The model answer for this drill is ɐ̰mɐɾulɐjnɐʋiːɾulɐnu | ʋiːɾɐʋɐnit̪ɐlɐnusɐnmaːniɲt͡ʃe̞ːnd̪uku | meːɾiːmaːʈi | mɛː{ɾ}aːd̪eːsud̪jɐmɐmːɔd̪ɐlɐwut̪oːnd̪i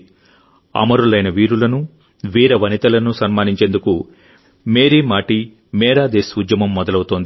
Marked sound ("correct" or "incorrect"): correct